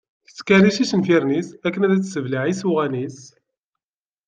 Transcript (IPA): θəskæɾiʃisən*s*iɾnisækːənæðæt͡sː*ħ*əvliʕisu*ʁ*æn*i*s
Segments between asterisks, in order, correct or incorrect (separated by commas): incorrect, incorrect, correct, correct